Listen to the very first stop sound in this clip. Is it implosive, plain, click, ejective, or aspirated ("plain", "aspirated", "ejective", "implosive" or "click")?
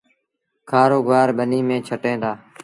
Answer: aspirated